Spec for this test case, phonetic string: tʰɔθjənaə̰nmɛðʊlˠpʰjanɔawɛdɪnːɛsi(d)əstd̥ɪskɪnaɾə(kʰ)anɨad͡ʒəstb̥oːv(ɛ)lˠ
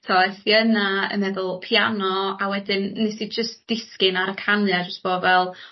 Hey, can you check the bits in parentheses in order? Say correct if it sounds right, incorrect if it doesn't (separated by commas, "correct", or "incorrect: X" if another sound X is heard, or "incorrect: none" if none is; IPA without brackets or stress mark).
incorrect: d͡ʒ, correct, correct